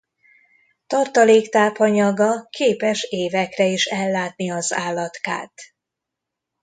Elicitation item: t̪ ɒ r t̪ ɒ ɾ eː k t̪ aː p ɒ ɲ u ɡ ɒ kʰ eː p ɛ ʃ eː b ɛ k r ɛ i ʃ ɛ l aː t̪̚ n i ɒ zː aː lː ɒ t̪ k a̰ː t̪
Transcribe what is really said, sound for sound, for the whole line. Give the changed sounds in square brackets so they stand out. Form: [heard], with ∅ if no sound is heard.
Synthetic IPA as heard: t̪ ɒ r t̪ ɒ [l] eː k t̪ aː p ɒ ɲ [ɒ] ɡ ɒ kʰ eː p ɛ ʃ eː [v] ɛ k r ɛ i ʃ ɛ [lː] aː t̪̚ n i ɒ [z] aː lː ɒ t̪ k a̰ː t̪